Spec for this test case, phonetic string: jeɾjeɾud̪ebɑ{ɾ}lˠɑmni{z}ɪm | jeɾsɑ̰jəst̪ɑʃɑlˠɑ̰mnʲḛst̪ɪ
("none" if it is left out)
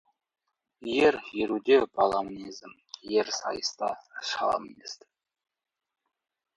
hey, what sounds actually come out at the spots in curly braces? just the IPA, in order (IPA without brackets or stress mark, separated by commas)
none, z